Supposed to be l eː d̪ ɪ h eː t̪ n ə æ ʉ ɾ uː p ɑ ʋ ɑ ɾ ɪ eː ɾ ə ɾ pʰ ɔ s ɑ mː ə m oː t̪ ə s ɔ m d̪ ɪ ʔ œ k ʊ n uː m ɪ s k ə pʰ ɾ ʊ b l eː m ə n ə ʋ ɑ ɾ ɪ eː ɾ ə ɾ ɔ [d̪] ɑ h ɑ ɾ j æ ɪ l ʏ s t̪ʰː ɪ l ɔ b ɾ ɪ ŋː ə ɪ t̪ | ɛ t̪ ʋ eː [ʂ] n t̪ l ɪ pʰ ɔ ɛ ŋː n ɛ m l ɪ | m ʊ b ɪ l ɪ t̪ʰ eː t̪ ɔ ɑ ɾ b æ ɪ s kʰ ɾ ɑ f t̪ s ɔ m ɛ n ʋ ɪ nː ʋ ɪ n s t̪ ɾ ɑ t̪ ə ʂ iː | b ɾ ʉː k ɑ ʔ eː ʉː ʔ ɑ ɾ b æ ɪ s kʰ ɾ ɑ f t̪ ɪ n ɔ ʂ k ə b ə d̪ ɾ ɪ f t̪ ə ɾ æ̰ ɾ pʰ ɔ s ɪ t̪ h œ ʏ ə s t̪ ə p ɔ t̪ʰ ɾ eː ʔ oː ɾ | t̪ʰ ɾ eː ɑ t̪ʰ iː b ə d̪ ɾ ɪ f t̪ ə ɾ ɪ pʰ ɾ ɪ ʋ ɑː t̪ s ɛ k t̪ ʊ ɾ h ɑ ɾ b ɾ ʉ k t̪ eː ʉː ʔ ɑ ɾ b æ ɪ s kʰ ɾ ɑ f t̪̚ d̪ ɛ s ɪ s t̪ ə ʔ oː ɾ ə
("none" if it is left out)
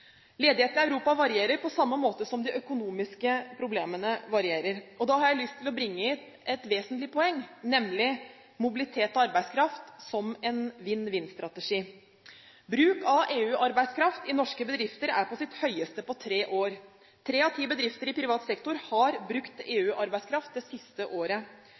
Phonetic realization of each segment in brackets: d̪, s

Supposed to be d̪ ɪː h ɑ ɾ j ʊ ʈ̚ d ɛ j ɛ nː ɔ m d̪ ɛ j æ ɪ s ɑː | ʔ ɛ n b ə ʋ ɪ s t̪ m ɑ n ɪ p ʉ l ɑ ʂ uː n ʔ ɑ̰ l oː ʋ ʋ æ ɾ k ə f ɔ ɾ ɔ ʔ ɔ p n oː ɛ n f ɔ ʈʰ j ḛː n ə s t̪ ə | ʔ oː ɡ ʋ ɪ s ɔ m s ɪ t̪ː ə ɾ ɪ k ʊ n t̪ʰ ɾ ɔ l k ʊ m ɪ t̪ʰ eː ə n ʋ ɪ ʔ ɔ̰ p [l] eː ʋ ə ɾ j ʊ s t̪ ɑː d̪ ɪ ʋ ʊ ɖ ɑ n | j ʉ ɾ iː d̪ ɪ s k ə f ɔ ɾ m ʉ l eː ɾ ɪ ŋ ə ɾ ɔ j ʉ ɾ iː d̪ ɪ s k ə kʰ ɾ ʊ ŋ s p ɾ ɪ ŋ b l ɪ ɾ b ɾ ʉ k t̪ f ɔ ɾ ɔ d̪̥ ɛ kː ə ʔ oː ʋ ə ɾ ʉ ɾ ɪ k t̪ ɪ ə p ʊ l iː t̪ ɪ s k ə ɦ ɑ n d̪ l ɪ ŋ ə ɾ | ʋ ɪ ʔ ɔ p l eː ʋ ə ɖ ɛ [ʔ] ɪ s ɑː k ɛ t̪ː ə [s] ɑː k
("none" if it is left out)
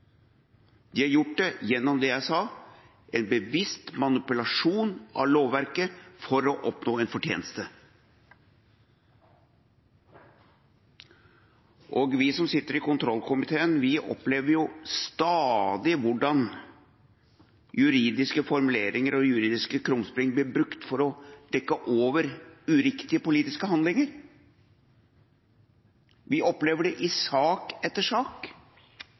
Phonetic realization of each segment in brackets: l, ʔ, ʂ

